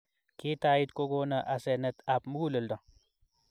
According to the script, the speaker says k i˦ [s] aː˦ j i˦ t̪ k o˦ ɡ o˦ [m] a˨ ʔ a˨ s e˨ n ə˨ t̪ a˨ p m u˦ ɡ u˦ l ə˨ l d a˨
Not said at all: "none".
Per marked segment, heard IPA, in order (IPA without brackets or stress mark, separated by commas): t, n